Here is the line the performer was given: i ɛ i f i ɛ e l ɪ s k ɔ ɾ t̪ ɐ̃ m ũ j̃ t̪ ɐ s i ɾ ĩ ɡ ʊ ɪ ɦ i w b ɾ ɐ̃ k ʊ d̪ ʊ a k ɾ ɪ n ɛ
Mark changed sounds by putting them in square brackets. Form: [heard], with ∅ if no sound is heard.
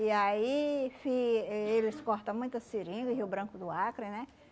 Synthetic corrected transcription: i [a] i f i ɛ e l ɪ s k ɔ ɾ t̪ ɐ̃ m ũ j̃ t̪ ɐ s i ɾ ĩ ɡ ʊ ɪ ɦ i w b ɾ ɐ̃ k ʊ d̪ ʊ a k ɾ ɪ n ɛ